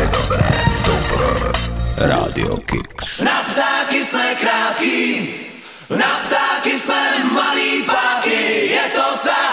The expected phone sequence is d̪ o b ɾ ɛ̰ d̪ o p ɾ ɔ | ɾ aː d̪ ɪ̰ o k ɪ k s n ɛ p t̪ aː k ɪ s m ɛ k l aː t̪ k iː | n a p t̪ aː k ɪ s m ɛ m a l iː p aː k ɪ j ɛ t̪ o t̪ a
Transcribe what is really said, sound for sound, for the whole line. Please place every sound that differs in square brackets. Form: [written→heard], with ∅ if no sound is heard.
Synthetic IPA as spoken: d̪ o b ɾ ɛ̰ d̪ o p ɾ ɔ | ɾ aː d̪ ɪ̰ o k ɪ k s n [ɛ→a] p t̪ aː k ɪ s m ɛ k [l→ɾ] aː t̪ k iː | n a p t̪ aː k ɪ s m ɛ m a l iː p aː k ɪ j ɛ t̪ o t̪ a